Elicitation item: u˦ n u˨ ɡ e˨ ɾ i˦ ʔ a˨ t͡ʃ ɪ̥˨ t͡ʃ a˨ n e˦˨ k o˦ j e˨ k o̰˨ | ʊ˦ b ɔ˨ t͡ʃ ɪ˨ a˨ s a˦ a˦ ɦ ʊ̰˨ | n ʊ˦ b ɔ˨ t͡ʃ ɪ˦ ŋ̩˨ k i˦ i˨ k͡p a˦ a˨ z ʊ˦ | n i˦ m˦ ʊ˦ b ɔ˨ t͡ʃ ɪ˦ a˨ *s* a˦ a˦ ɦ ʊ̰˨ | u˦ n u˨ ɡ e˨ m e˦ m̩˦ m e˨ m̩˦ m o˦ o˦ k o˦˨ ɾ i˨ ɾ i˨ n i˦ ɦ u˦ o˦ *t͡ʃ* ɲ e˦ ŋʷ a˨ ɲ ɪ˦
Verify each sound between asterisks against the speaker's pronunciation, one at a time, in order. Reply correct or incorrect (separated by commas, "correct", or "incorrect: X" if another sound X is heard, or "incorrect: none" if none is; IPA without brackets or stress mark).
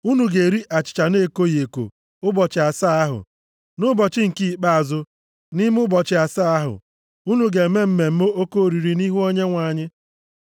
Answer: correct, incorrect: none